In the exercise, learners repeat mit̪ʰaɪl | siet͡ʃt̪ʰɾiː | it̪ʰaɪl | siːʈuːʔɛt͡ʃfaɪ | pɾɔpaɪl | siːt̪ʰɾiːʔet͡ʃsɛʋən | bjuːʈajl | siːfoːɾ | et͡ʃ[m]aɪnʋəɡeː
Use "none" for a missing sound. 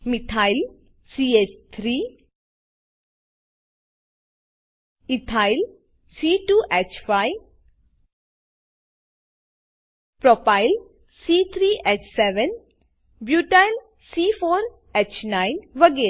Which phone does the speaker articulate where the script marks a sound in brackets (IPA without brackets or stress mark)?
n